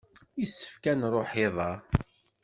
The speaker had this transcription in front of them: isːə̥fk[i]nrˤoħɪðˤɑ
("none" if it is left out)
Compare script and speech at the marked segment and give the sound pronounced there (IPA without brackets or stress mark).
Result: æ